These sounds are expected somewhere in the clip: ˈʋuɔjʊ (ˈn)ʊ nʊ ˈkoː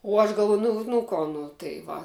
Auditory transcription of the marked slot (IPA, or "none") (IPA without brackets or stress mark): n